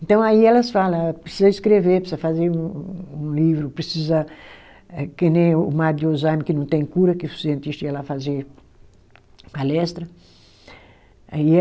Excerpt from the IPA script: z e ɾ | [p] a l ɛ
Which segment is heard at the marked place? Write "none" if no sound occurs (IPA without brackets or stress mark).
p